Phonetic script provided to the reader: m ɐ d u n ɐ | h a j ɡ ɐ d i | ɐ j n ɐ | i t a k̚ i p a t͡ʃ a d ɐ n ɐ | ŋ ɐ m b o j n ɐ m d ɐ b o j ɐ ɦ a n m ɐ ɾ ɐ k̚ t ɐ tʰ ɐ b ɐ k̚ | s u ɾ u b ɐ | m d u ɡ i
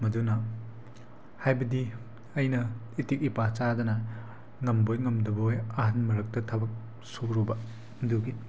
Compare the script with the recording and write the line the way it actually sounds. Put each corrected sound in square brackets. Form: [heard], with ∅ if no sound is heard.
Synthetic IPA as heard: m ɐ d u n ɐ | h a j [b] ɐ d i | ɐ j n ɐ | i t [i] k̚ i p a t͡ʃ a d ɐ n ɐ | ŋ ɐ m b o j [ŋ] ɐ m d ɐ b o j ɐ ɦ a n m ɐ ɾ ɐ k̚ t ɐ tʰ ɐ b ɐ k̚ | s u ɾ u b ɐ | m d u ɡ i